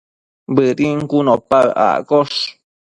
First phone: b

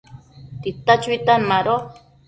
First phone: t̪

